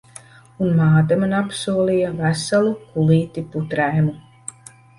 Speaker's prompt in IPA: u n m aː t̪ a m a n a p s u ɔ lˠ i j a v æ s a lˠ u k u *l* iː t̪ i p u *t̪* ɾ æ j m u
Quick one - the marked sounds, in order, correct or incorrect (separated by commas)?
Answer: correct, correct